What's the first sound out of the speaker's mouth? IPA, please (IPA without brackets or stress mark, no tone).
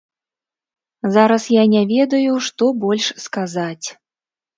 z